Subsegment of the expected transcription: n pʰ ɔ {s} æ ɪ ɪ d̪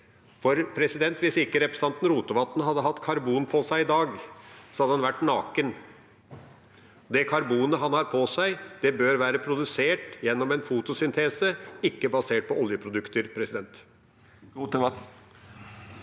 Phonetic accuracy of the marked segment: correct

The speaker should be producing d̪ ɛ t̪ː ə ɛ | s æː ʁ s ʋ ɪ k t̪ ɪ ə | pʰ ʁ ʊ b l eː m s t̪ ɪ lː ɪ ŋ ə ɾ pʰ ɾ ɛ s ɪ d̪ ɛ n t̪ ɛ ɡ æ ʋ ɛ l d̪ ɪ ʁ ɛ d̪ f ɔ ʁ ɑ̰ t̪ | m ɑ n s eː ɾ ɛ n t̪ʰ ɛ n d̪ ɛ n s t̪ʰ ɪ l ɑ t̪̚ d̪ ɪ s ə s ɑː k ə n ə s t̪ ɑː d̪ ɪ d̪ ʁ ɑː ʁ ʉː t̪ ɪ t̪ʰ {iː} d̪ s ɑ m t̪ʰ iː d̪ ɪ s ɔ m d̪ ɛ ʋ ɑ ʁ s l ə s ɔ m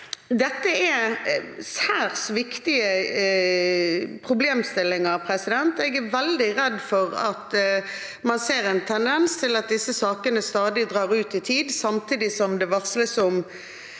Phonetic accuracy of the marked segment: correct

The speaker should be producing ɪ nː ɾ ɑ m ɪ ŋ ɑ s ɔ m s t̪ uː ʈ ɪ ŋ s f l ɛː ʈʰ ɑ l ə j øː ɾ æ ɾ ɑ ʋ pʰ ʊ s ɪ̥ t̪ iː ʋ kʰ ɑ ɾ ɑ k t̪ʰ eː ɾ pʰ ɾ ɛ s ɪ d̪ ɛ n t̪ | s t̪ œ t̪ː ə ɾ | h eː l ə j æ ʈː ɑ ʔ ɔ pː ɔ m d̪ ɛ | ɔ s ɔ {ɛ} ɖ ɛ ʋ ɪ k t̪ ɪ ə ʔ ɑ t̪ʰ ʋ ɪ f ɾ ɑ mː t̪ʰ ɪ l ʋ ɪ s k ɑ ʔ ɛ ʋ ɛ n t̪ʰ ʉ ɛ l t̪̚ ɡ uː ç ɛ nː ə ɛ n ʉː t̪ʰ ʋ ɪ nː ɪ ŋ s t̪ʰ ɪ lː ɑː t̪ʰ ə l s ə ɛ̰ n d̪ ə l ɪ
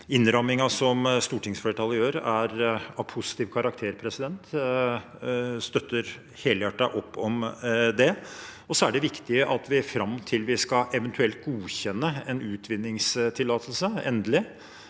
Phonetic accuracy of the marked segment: incorrect: æ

